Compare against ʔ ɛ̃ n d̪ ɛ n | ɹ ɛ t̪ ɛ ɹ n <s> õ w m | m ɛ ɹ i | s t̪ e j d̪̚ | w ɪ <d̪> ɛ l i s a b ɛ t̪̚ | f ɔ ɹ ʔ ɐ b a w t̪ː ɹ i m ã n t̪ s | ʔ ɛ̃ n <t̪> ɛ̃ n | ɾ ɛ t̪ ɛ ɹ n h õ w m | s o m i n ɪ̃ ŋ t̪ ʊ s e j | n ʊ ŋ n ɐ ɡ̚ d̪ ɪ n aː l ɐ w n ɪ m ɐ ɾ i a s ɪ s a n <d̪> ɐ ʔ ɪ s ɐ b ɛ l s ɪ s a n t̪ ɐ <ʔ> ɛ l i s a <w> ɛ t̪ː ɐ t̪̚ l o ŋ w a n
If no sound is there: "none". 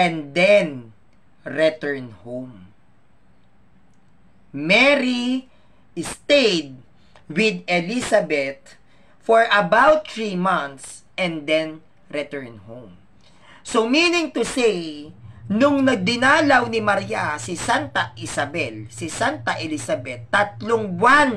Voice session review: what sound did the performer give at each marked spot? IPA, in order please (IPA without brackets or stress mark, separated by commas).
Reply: h, d̪, d̪, t̪, ʔ, b